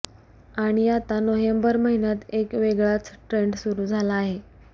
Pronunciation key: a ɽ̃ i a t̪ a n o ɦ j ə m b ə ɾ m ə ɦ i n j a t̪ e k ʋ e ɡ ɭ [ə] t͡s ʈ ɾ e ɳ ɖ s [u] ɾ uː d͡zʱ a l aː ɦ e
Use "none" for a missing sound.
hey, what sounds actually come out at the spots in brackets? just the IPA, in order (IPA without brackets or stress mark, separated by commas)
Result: a, u